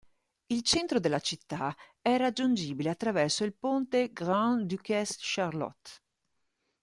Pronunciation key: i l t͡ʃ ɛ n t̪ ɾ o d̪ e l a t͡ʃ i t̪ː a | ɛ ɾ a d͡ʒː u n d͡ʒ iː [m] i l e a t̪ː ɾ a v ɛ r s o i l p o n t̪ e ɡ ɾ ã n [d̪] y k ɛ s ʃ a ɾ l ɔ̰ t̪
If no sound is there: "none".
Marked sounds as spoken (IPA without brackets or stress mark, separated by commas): b, d̪